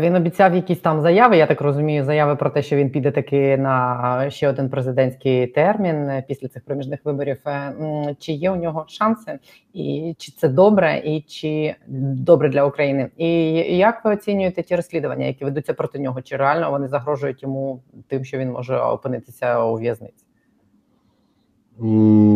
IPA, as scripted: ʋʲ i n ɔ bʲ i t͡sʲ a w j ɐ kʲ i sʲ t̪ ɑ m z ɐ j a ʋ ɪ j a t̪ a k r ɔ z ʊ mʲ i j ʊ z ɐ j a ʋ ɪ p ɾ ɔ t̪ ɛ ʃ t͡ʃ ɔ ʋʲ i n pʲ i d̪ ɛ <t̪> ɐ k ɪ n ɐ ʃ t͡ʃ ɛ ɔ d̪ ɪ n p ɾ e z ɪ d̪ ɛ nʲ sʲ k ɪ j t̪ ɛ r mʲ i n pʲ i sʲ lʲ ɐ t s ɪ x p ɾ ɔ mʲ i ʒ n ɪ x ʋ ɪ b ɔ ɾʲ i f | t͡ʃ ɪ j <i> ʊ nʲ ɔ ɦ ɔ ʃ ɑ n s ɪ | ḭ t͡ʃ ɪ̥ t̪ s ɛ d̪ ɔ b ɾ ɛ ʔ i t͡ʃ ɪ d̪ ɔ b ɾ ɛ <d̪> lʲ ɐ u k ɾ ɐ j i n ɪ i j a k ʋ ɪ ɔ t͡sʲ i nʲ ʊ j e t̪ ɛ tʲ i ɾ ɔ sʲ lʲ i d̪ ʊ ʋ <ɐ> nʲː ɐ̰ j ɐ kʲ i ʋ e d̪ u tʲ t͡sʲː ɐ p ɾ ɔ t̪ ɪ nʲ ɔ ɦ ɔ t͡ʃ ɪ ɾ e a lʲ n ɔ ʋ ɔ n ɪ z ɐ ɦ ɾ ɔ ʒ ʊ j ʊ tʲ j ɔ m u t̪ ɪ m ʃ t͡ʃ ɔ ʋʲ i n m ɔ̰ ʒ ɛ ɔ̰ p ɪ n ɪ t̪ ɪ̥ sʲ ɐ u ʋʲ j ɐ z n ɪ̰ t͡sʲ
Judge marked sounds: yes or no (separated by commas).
yes, no, yes, yes